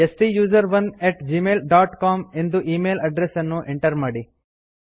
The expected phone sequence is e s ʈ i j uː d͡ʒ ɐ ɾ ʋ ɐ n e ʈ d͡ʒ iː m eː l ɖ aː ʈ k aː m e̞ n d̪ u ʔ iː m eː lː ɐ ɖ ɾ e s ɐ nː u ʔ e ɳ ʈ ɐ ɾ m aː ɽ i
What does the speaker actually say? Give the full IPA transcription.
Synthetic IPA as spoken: e s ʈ i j uː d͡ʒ ɐ ɾ ʋ ɐ n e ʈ d͡ʒ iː m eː l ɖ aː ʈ k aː m e̞ n d̪ u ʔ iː m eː l ɐ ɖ ɾ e s ɐ nː u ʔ e ɳ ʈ ɐ ɾ m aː ɽ i